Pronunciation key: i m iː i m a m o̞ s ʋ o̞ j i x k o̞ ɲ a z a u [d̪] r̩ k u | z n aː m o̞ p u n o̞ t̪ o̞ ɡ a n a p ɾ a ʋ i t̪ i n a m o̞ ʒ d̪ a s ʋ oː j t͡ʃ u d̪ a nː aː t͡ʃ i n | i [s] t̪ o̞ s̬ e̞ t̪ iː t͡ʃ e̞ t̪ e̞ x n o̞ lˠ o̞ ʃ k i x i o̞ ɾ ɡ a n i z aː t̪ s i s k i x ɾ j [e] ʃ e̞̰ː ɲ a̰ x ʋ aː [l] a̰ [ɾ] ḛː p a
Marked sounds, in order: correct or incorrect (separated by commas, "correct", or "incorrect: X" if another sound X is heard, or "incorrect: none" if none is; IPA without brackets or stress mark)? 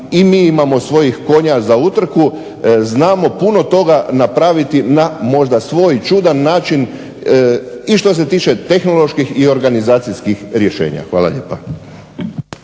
incorrect: t̪, incorrect: ʃ, correct, correct, incorrect: ʎ